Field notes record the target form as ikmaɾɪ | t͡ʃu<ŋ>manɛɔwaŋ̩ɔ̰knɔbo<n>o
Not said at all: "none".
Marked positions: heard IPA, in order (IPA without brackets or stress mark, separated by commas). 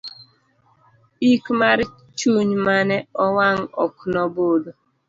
ɲ, d